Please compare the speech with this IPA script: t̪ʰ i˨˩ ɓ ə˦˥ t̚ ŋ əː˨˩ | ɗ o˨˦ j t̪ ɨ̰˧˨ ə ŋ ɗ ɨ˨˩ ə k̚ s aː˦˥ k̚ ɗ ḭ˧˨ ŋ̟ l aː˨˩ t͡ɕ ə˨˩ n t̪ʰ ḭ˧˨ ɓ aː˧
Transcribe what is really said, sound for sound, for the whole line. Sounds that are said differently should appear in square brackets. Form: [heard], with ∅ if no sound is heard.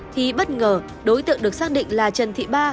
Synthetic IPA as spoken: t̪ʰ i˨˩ ɓ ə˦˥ t̚ ŋ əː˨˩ | ɗ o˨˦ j t̪ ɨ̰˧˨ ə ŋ ɗ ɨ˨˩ ə k̚ s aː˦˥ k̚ ɗ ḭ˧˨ ŋ̟ l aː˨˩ t͡ɕ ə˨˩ n t̪ʰ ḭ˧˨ ɓ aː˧